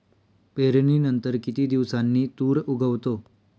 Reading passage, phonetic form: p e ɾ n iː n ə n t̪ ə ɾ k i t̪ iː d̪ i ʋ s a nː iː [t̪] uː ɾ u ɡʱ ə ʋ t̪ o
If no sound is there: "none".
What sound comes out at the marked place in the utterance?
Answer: t̪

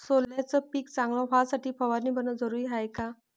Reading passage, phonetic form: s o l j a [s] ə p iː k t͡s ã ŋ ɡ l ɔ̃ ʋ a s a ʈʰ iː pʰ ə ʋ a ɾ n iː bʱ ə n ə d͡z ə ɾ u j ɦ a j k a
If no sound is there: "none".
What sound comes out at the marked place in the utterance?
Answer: t͡s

